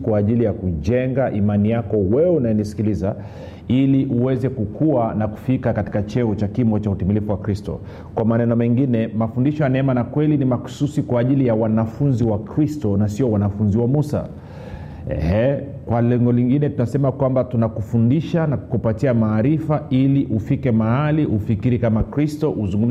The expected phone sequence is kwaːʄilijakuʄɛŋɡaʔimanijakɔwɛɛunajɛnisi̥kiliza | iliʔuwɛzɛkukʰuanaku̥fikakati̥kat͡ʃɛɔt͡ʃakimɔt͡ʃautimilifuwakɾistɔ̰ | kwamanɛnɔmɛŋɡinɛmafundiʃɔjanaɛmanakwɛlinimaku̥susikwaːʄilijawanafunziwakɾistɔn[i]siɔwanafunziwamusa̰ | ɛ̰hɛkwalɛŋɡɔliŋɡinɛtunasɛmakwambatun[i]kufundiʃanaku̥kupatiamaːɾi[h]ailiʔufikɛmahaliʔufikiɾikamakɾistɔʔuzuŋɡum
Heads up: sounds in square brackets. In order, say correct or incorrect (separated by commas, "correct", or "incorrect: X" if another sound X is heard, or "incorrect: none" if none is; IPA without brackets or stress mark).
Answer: incorrect: a, incorrect: a, incorrect: f